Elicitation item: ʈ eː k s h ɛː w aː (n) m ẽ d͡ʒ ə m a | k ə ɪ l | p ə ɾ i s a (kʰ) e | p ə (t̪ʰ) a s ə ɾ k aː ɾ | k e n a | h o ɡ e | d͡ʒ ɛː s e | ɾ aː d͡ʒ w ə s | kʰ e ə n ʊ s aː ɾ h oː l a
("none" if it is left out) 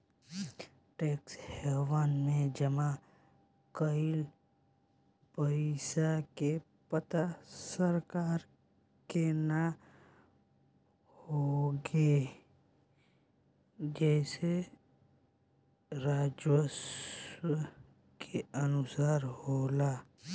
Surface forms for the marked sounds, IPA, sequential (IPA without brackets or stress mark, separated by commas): n, k, t̪